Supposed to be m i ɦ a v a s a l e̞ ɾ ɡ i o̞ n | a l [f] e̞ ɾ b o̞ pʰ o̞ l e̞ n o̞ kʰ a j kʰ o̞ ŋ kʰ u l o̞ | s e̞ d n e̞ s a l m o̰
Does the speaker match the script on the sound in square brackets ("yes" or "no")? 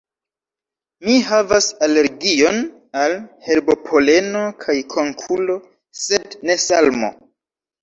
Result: no